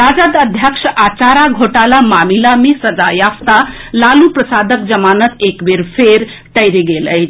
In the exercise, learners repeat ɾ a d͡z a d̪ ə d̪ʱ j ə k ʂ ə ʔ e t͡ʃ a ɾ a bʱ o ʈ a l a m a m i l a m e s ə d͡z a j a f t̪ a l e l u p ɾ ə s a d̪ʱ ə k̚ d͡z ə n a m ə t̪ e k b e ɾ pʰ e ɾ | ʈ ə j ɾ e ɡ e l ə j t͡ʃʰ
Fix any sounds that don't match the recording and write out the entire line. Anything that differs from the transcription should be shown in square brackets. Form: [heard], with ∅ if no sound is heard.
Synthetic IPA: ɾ a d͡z a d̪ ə d̪ʱ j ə k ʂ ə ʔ [a] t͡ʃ a ɾ a [ɡʱ] o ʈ a l a m a m i l a m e s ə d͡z a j a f t̪ a l [a] l u p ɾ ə s a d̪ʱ ə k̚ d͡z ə [m] a [n] ə t̪ e k b e ɾ pʰ e ɾ | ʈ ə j ɾ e ɡ e l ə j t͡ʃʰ